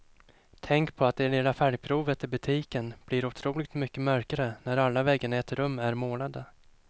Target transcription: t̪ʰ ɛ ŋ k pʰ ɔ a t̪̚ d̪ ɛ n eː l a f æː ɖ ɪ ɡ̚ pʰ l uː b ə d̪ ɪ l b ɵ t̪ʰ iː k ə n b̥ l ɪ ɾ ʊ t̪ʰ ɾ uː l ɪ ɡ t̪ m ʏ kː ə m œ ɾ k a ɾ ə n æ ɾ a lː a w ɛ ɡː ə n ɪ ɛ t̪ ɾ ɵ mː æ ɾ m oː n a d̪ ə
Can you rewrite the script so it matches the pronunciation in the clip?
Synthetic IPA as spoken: t̪ʰ ɛ ŋ k pʰ ɔ a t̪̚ d̪ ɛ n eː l a f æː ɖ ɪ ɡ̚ pʰ ɾ uː v ə t̪ ɪ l b ɵ t̪ʰ iː k ə n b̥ l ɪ ɾ ʊ t̪ʰ ɾ uː l ɪ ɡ t̪ m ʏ kː ə m œ ɾ k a ɾ ə n æ ɾ a lː a v ɛ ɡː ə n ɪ ɛ t̪ ɾ ɵ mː æ ɾ m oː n a d̪ ə